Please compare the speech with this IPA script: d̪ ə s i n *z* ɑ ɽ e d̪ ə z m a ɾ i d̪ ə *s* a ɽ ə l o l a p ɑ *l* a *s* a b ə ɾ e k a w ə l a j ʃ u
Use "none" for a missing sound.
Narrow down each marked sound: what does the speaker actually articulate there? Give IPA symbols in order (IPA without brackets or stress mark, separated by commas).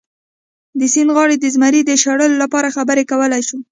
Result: ɣ, ʃ, ɾ, x